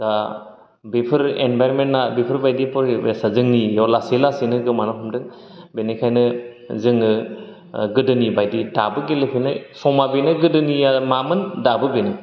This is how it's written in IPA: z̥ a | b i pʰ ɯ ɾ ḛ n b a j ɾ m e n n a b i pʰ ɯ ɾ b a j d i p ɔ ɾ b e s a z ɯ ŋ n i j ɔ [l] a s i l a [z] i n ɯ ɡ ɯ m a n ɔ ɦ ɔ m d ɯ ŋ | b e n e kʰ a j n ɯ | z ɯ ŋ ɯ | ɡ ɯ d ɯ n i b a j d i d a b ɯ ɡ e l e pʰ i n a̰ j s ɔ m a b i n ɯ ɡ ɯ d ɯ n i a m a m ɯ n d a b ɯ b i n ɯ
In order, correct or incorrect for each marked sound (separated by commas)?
correct, incorrect